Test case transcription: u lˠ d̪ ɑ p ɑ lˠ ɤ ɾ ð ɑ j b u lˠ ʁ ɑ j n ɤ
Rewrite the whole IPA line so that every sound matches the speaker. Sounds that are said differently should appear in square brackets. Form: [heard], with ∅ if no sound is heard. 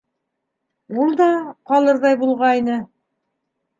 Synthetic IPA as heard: u lˠ d̪ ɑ [q] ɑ lˠ ɤ ɾ ð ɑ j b u lˠ ʁ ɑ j n ɤ